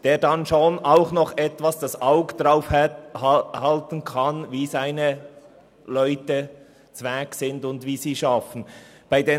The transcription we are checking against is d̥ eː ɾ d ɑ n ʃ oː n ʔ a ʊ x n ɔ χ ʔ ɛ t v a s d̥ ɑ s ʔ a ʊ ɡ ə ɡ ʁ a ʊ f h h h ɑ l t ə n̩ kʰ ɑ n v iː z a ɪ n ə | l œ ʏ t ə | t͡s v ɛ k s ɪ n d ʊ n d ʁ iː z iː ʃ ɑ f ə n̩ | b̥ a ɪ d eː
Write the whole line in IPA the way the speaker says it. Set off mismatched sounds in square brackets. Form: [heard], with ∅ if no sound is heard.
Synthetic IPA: d̥ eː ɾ d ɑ n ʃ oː n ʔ a ʊ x n ɔ χ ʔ ɛ t v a s d̥ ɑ s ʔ a ʊ ɡ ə [d] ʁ a ʊ f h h h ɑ l t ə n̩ kʰ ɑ n v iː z a ɪ n ə | l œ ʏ t ə | t͡s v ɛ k s ɪ n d ʊ n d [v] iː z iː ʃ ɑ f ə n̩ | b̥ a ɪ d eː